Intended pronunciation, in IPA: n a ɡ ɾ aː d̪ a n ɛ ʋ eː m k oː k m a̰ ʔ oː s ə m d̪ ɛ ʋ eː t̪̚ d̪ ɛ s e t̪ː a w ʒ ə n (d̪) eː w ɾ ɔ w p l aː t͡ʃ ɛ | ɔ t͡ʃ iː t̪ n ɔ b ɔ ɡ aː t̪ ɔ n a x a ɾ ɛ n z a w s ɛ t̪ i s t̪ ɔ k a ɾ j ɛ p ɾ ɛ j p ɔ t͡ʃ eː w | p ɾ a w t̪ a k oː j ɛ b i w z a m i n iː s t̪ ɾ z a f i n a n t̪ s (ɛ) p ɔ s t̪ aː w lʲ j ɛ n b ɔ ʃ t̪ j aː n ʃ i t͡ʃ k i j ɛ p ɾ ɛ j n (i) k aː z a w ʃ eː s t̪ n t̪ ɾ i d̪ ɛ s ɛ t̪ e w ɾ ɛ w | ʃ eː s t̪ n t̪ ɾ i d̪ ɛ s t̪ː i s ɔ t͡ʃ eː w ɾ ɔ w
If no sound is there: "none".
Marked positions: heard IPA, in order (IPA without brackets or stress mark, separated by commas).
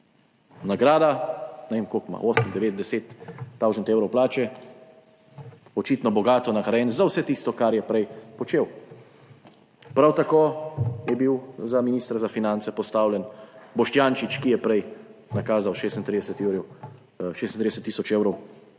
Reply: t̪, ɛ, a